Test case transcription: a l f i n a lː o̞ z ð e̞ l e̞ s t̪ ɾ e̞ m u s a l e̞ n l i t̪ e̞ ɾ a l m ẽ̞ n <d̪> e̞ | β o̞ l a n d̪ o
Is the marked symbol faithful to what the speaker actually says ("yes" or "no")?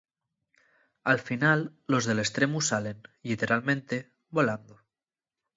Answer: no